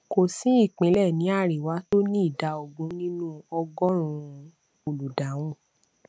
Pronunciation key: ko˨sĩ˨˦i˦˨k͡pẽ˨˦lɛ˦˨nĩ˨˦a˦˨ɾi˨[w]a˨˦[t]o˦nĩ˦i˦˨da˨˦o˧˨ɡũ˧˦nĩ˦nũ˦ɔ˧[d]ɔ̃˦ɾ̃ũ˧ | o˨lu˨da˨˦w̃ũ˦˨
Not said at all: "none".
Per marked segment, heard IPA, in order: w, t, ɡ

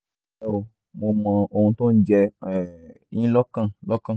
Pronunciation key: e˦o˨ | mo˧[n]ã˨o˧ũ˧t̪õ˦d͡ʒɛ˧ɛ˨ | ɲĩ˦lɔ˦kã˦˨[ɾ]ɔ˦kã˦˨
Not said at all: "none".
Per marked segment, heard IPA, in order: m, l

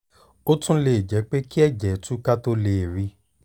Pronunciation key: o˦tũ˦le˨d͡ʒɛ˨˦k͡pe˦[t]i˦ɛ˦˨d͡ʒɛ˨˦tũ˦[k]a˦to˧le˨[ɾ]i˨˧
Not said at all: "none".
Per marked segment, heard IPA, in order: k, k, ɾ

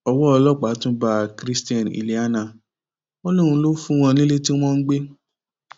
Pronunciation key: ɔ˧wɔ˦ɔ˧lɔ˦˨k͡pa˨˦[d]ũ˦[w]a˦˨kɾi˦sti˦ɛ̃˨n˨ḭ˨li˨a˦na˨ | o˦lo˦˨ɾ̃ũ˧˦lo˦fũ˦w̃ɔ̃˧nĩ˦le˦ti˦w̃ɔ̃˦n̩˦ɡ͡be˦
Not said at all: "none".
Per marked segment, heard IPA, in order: t, b

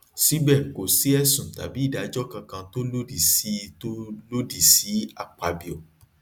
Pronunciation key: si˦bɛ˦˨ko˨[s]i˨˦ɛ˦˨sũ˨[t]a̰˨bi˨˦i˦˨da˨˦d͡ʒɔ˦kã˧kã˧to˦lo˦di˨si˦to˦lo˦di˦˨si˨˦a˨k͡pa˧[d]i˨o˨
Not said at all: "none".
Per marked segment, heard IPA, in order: s, t, b

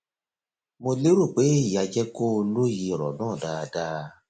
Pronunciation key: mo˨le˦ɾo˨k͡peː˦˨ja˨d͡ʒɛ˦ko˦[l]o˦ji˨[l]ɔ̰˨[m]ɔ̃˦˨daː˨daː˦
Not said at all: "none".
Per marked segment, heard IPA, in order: l, ɾ, n

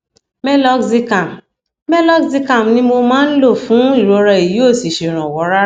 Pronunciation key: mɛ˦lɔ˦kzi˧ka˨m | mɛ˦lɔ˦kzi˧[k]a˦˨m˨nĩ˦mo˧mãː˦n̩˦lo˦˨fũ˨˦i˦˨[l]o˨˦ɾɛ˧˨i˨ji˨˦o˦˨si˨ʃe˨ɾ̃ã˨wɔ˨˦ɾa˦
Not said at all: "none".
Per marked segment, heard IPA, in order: k, ɾ

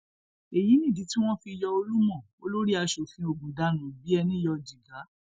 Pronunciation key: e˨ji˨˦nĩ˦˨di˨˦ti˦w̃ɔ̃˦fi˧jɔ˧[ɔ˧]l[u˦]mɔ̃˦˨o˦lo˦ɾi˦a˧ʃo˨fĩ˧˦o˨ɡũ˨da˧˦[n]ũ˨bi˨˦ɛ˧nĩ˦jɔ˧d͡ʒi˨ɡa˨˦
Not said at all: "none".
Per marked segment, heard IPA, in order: o˧, u˦, n

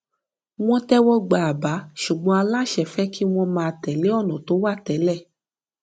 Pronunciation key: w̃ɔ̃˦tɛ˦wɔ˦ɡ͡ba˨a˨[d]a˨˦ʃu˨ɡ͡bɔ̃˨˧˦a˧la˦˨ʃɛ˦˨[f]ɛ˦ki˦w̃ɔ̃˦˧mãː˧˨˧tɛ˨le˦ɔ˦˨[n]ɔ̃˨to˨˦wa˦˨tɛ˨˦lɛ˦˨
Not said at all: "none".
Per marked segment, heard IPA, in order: b, f, n

